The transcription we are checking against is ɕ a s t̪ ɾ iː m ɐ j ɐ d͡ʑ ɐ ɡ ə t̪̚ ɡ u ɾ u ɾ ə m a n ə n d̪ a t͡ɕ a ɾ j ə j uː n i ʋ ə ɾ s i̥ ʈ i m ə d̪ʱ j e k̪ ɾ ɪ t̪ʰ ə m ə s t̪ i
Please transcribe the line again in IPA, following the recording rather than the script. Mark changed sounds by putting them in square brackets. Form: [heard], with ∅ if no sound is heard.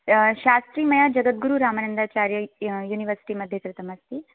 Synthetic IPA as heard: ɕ a s t̪ ɾ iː m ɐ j [a] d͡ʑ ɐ ɡ ə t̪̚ ɡ u ɾ u ɾ [a] m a n ə n d̪ a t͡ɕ a ɾ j ə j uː n i ʋ ə ɾ s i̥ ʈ i m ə d̪ʱ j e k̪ ɾ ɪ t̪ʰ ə m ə s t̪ i